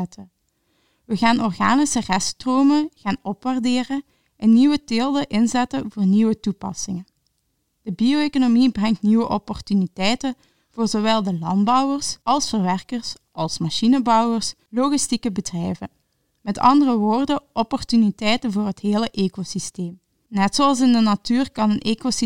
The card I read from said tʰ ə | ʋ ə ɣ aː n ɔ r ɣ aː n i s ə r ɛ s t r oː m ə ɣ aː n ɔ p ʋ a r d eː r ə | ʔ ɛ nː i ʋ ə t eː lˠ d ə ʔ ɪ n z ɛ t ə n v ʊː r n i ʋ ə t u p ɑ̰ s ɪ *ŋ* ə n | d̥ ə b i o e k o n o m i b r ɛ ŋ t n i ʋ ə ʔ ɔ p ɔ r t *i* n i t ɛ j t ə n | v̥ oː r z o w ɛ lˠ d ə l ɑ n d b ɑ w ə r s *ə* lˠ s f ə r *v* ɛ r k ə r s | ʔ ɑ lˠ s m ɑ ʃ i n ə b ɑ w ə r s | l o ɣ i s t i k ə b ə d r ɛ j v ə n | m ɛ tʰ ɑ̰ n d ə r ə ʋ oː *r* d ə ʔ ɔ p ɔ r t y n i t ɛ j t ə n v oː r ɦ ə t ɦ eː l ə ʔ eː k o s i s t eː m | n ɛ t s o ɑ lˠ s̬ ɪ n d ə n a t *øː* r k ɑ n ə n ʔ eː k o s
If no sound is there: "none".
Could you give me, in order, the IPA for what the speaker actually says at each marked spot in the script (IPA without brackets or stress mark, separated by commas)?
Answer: ŋ, y, ɑ, ʋ, r, yː